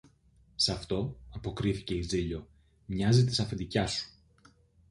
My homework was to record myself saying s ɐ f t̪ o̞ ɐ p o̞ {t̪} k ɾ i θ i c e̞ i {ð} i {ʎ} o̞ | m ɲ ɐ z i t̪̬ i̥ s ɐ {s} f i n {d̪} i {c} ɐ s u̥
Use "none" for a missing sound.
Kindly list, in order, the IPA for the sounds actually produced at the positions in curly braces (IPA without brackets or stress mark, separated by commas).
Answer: none, z, ʎ, none, d̪, c